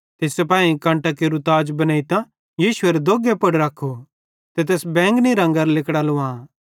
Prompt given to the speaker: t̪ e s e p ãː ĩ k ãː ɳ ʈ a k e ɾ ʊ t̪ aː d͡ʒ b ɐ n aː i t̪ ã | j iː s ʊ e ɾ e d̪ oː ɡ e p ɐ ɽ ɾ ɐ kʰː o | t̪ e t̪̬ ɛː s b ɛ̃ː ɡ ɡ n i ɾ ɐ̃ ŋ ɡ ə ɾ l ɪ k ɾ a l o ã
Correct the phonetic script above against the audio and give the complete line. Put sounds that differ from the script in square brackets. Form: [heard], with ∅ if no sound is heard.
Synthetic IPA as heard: t̪ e s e p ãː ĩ k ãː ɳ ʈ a k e ɾ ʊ t̪ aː d͡ʒ b ɐ n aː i t̪ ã | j iː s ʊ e ɾ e d̪ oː ɡ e p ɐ ɽ ɾ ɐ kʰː o | t̪ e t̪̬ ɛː s b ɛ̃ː [ŋ] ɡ n i ɾ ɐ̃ ŋ ɡ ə ɾ l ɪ k [ɽ] a l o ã